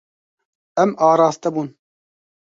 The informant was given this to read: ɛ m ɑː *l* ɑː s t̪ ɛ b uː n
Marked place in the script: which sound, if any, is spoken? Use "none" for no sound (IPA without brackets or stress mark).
ɾ